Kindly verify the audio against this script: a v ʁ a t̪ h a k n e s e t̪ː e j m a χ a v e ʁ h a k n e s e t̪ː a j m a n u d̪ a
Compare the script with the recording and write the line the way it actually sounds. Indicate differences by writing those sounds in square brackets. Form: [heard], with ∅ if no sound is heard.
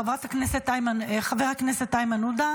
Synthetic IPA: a v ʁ a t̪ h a k n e s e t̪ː [a] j m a χ a v e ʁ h a k n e s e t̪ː a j m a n u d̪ a